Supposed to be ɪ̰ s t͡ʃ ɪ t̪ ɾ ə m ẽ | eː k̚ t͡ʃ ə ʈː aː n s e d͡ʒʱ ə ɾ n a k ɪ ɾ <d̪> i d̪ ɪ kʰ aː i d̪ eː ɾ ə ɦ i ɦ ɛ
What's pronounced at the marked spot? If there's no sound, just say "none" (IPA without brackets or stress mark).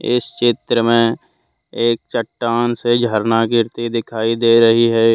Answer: t̪